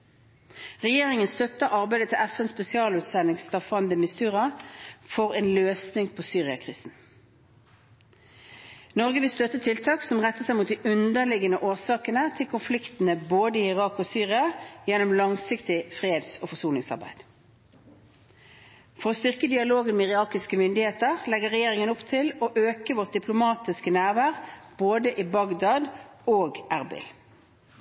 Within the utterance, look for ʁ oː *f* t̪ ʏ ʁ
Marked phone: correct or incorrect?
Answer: incorrect